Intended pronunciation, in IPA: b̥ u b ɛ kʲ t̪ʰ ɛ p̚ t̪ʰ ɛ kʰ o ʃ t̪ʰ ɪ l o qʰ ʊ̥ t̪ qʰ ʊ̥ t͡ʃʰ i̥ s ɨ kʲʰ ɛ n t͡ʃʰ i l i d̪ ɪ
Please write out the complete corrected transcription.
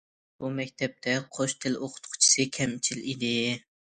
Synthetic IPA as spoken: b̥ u m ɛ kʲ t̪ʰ ɛ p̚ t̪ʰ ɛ qʰ o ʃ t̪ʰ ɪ l o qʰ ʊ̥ t̪ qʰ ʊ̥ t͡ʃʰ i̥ s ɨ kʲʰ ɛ m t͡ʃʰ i l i d̪ ɪ